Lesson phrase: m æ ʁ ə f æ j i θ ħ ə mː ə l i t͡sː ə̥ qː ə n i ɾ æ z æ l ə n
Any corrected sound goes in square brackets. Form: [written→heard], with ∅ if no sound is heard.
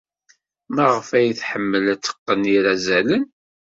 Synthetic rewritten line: m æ ʁ ə f æ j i θ ħ ə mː ə l [i→æ] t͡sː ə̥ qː ə n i ɾ æ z æ l ə n